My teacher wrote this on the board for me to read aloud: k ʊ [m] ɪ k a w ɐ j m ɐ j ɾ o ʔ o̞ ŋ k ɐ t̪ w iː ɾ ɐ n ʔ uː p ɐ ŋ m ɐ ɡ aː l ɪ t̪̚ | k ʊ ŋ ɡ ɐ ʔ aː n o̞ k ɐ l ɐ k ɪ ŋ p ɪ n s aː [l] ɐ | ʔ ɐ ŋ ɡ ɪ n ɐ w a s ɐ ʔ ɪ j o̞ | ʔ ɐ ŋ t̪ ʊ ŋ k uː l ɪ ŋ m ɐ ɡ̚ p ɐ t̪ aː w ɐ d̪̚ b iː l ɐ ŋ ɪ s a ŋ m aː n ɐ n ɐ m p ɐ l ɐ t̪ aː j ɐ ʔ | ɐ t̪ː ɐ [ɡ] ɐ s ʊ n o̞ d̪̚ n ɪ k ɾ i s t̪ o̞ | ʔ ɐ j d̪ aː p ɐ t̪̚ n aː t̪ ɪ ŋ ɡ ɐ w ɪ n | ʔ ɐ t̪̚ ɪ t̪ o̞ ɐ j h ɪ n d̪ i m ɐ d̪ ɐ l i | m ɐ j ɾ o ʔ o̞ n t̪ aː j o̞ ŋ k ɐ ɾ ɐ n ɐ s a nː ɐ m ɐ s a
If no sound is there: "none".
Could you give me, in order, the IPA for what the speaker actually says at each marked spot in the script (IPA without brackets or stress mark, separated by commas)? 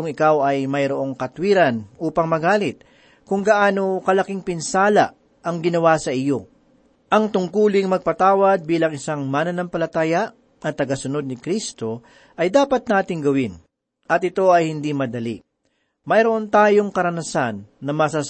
ŋ, l, ɡ